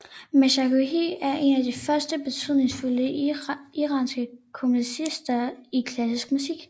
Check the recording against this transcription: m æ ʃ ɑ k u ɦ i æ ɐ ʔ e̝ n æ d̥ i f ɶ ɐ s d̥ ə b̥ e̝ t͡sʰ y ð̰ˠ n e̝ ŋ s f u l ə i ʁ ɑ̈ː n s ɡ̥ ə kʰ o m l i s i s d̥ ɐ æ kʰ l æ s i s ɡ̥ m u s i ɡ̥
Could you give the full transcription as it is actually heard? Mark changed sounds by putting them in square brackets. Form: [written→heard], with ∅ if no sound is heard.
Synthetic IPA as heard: m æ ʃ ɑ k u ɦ i æ ɐ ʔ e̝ n æ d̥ i f ɶ ɐ s d̥ ə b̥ e̝ t͡sʰ y ð̰ˠ n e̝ ŋ s f u l ə i ʁ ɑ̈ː n s ɡ̥ ə kʰ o m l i s i s d̥ ɐ [æ→i] kʰ l æ s i s ɡ̥ m u s i ɡ̥